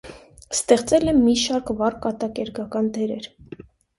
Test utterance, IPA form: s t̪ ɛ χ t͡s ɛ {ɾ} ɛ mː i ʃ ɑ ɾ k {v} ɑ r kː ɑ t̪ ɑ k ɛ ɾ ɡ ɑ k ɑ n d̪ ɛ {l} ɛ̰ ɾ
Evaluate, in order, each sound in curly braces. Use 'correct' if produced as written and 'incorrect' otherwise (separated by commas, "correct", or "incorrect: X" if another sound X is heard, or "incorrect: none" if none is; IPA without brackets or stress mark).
incorrect: l, correct, incorrect: ɾ